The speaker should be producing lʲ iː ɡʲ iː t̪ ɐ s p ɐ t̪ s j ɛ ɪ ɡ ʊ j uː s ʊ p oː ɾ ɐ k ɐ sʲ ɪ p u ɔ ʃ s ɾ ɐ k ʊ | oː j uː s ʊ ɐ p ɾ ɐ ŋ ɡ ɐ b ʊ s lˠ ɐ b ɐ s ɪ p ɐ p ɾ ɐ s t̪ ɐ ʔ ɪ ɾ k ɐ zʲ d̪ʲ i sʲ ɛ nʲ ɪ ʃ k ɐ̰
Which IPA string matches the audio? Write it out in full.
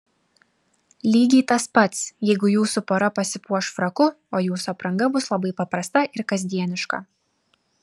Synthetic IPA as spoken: lʲ iː ɡʲ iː t̪ ɐ s p ɐ t̪ s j ɛ ɪ ɡ ʊ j uː s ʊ p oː ɾ ɐ p ɐ sʲ ɪ p u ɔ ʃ f ɾ ɐ k ʊ | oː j uː s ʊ ɐ p ɾ ɐ ŋ ɡ ɐ b ʊ s lˠ ɐ b ɐ ɪ p ɐ p ɾ ɐ s t̪ ɐ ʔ ɪ ɾ k ɐ zʲ d̪ʲ i ɛ nʲ ɪ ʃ k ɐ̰